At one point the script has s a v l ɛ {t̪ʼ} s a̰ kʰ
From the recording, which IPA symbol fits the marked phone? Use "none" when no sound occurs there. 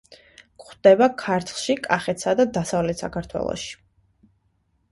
t̪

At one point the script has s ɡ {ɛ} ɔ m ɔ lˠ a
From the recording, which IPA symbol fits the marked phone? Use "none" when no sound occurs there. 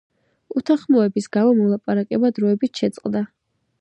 a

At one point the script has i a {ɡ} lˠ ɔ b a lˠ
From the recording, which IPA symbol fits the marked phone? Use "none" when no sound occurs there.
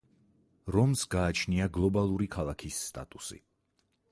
ɡ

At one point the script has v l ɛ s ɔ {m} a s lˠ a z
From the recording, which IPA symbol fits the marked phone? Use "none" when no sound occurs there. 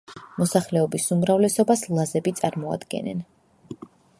b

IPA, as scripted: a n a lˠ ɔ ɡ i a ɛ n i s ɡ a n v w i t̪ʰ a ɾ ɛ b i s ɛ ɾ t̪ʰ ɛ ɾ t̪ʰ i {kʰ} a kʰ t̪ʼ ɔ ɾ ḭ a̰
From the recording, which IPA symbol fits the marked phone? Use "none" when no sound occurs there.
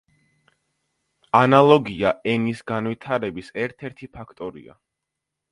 pʰ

